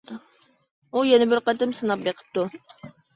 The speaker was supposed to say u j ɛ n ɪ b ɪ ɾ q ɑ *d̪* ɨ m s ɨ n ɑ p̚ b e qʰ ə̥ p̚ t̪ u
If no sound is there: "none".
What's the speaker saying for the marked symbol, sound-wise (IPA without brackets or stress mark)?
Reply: t̪